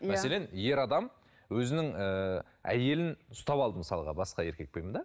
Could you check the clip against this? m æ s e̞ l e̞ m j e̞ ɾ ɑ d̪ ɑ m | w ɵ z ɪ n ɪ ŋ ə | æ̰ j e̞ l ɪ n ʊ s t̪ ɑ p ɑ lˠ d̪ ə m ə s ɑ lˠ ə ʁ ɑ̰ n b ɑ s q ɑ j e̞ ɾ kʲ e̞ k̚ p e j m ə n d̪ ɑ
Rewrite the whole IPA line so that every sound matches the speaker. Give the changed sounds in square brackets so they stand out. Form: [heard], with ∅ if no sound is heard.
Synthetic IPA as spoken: m æ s e̞ l e̞ [n] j e̞ ɾ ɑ d̪ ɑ m | w ɵ z ɪ n ɪ ŋ ə | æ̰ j e̞ l ɪ n ʊ s t̪ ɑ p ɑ lˠ d̪ ə m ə s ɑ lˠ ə ʁ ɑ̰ [∅] b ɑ s q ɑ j e̞ ɾ kʲ e̞ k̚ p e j m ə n d̪ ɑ